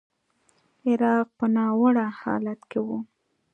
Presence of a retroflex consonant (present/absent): present